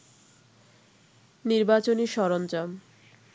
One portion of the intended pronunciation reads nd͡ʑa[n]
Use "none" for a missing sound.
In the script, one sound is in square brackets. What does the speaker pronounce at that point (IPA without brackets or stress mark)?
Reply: m